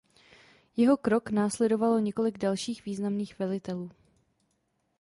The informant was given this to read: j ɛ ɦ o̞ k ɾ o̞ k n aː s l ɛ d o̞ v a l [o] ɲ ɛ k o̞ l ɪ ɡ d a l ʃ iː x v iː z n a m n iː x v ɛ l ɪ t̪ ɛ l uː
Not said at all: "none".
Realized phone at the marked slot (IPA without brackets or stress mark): o